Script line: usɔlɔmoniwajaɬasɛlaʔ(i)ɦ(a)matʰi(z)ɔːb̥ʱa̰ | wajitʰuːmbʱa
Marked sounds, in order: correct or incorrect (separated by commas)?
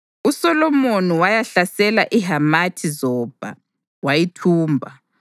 correct, correct, correct